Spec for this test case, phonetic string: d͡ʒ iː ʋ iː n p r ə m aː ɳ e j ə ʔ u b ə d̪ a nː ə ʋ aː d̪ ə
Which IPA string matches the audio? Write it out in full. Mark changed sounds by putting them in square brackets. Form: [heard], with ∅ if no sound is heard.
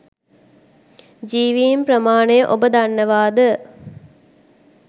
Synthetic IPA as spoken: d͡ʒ iː ʋ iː [m] p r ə m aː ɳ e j ə ʔ [o] b ə d̪ a nː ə ʋ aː d̪ ə